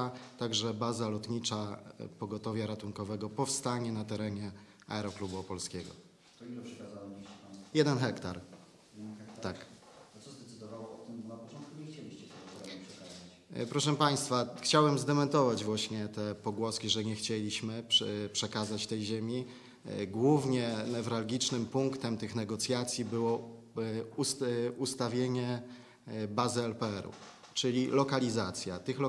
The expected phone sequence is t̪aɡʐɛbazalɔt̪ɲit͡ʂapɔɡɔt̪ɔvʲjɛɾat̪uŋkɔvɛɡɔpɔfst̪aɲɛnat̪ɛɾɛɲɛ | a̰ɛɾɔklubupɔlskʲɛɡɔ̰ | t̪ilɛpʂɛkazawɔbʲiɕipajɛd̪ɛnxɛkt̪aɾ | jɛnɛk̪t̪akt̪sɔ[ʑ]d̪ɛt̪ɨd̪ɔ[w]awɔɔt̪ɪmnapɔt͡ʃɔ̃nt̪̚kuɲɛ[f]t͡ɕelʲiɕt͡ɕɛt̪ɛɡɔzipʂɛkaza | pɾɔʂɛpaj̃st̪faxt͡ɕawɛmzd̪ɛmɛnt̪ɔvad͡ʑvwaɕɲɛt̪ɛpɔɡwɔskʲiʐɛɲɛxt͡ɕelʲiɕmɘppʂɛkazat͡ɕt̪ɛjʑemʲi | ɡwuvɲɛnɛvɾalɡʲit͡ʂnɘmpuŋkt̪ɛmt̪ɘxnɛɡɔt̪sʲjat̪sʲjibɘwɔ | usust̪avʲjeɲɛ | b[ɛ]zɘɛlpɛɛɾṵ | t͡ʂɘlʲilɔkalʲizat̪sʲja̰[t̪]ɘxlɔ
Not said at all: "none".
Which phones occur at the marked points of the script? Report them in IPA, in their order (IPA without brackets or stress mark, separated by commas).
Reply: z, v, x, a, t̪